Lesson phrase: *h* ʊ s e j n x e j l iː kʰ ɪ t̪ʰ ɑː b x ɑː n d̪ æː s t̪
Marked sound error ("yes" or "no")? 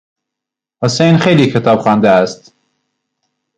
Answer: no